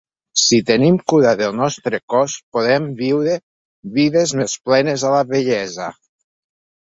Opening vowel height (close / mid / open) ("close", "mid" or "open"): close